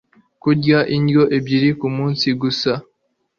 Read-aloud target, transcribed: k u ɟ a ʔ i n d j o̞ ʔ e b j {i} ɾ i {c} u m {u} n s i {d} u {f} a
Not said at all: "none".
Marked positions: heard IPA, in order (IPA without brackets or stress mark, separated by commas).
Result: i, k, uː, ɡ, s